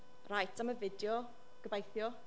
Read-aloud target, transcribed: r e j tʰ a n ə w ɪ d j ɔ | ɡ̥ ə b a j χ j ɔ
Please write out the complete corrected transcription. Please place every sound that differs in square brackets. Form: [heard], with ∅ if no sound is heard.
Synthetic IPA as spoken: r [a] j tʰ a [m] ə [v] ɪ d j ɔ | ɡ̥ ə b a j [θ] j ɔ

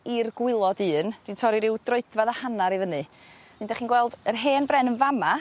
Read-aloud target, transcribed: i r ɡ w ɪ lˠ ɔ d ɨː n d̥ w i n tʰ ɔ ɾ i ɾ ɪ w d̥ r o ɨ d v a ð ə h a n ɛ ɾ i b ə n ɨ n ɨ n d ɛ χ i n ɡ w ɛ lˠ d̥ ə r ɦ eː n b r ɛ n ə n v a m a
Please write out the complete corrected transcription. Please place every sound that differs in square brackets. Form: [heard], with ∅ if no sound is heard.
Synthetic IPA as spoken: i r ɡ w ɪ lˠ ɔ d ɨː n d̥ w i n tʰ ɔ ɾ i ɾ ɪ w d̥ r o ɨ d v a ð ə h a n [a] ɾ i [v] ə n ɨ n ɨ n d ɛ χ i n ɡ w ɛ lˠ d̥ ə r ɦ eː n b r ɛ n ə n v a m a

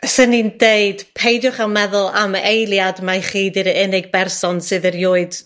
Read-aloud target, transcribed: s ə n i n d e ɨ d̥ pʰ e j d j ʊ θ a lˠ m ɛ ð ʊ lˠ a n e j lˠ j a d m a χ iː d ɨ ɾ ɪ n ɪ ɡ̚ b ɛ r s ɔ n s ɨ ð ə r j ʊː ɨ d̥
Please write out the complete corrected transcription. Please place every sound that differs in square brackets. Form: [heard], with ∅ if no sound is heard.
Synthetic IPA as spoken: s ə n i n d e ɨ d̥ pʰ e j d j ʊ [χ] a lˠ m ɛ ð ʊ lˠ a [m] e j lˠ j a d m a χ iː d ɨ ɾ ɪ n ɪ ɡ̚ b ɛ r s ɔ n s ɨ ð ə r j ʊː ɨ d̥

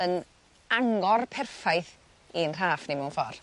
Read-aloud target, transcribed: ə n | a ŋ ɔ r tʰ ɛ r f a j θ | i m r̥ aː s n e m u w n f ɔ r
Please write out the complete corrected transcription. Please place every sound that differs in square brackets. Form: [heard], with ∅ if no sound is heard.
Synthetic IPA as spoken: ə n | a ŋ ɔ r [pʰ] ɛ r f a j θ | i [n] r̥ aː [f] n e m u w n f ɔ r

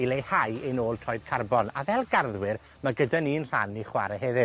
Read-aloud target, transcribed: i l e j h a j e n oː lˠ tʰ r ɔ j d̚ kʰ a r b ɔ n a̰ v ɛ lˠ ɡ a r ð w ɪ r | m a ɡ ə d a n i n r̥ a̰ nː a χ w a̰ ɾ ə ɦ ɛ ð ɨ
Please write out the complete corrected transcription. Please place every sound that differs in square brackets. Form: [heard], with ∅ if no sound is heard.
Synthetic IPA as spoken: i l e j h a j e n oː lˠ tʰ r ɔ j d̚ kʰ a r b ɔ n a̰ v ɛ lˠ ɡ a r ð w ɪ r | m a ɡ ə d a n i n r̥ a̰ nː [i] χ w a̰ ɾ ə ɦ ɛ ð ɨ

